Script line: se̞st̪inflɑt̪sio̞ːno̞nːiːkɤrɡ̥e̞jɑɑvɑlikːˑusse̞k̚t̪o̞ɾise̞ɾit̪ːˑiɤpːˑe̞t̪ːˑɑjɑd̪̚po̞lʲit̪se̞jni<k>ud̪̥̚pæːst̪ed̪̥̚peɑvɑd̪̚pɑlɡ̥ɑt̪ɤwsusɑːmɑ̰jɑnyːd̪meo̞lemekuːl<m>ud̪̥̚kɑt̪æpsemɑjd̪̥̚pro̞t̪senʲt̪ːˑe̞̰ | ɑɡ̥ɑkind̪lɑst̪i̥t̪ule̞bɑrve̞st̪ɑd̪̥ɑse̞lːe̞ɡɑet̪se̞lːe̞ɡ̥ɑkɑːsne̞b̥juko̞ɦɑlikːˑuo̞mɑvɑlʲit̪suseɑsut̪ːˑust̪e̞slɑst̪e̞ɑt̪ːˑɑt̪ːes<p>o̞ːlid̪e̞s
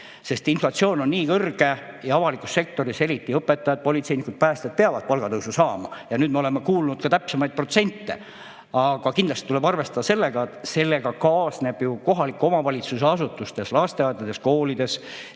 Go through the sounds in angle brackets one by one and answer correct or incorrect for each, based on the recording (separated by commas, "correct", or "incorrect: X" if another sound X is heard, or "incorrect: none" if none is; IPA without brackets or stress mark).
correct, incorrect: n, incorrect: k